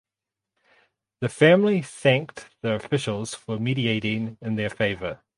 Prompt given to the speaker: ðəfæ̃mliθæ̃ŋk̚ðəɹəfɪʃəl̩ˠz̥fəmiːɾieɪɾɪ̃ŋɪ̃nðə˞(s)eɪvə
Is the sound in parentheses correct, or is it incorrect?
incorrect: f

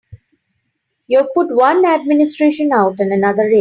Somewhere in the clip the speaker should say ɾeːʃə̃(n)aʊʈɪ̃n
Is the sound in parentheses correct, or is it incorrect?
correct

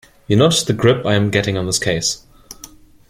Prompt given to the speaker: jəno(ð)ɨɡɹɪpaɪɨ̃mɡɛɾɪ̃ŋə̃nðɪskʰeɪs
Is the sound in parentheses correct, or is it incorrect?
correct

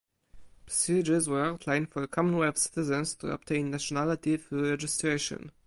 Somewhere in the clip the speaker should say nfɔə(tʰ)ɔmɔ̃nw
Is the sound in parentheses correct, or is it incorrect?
incorrect: kʰ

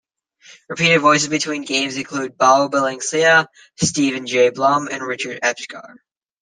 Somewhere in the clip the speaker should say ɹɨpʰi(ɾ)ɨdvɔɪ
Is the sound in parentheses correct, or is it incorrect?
correct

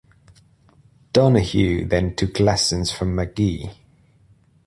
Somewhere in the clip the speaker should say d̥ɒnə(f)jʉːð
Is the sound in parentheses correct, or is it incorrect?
incorrect: h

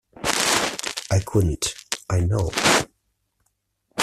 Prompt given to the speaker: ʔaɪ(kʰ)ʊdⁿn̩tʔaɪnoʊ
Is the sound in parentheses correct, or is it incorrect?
correct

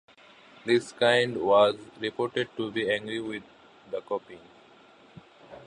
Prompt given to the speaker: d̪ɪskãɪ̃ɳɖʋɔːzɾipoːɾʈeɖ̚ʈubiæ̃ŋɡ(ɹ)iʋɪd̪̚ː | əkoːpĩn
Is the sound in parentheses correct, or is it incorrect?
incorrect: ɾ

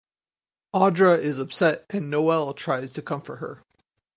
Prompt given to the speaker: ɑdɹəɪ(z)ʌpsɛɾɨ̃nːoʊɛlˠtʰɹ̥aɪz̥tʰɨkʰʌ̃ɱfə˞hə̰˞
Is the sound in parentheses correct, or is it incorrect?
correct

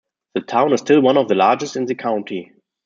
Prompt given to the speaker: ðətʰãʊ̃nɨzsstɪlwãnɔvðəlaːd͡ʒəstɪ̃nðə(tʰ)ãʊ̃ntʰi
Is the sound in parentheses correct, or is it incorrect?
incorrect: kʰ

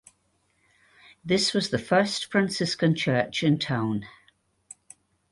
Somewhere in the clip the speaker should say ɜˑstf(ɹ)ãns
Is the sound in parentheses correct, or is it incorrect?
correct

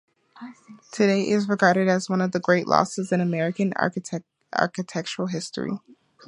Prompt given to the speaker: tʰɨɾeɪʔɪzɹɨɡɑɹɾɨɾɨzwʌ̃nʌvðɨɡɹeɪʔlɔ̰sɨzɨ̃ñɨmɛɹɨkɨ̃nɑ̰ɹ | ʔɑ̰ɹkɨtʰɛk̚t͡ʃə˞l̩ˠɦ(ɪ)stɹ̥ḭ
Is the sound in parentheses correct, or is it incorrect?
correct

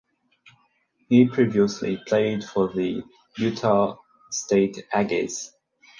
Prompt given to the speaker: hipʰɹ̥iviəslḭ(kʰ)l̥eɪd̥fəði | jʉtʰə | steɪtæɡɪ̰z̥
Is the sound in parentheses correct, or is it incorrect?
incorrect: pʰ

